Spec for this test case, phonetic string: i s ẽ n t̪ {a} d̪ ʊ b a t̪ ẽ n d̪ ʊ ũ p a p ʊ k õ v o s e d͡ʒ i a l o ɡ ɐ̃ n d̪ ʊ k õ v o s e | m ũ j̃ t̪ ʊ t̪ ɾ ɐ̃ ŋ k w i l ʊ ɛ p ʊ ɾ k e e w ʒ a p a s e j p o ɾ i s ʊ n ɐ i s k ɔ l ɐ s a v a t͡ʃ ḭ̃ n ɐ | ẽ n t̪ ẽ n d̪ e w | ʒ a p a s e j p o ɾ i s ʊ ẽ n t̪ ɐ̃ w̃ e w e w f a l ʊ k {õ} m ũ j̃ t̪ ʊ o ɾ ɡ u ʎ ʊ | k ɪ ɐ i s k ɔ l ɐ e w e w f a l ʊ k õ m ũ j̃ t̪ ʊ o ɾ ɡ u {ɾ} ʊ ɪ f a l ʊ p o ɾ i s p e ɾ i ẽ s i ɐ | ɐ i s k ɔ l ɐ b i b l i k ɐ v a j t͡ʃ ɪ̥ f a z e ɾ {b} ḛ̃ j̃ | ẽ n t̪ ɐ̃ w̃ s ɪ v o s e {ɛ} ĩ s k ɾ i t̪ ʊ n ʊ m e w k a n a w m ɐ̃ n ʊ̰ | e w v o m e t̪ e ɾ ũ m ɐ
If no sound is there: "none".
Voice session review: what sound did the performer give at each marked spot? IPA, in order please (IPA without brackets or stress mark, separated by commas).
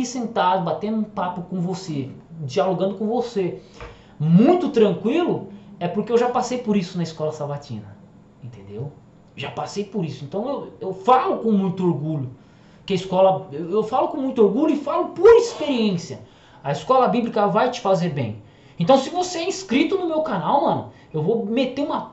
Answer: a, õ, ʎ, b, ɛ